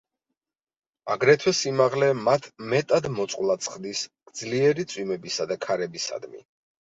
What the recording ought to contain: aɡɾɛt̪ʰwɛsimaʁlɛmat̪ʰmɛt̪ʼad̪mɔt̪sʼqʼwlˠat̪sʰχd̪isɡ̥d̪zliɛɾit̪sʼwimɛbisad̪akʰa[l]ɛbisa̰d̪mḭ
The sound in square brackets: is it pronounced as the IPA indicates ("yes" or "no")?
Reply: no